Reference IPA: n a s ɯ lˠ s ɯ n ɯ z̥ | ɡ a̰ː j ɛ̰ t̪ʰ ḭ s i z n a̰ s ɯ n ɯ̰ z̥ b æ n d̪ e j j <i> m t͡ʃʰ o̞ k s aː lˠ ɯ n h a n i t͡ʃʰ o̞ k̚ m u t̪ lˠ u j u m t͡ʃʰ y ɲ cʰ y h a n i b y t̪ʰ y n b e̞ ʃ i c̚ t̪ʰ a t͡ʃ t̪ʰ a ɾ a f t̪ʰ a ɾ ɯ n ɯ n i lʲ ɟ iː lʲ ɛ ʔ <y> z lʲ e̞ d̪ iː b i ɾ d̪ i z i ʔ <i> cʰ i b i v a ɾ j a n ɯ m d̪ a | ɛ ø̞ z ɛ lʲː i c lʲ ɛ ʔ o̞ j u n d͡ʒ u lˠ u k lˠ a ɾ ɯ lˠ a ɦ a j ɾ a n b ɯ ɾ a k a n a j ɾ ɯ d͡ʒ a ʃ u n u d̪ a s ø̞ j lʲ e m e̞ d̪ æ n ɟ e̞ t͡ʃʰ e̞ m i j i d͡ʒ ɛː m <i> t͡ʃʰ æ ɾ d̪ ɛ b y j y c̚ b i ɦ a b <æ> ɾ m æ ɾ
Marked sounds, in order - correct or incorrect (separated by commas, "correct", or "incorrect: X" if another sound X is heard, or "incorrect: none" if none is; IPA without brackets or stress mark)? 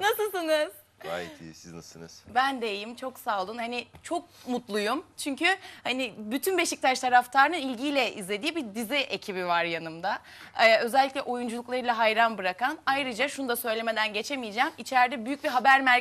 correct, incorrect: i, incorrect: e, correct, correct